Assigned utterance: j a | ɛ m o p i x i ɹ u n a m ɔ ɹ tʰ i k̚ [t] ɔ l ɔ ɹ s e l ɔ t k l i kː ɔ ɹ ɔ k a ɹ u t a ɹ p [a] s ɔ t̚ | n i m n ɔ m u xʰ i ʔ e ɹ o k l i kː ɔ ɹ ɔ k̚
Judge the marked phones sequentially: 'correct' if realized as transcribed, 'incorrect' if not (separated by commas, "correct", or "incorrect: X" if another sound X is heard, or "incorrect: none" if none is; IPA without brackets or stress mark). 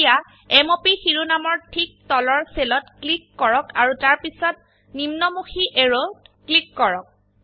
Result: correct, incorrect: i